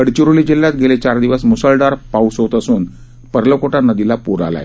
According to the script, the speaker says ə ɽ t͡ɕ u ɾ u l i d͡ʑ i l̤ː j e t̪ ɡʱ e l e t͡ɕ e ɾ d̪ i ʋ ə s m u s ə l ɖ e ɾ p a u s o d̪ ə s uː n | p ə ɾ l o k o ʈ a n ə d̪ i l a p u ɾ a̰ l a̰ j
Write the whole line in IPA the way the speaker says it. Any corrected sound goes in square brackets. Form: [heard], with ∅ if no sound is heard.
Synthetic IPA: ə ɽ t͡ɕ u ɾ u l i d͡ʑ i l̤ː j [a] t̪ ɡʱ e l e t͡ɕ [a] ɾ d̪ i ʋ ə s m u s ə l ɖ [a] ɾ p a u s o [t̪] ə s uː n | p ə ɾ l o k o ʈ a n ə d̪ i l a p u ɾ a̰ l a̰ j